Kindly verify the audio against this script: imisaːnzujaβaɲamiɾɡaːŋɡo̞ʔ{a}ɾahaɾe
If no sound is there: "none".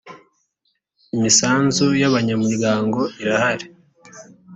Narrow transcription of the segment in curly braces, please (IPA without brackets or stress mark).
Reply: i